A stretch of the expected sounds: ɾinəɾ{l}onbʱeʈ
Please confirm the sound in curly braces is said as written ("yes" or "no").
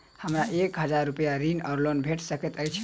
yes